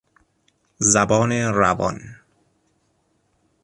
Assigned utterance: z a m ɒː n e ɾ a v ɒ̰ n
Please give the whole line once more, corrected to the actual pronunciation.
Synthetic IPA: z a b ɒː n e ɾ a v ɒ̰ n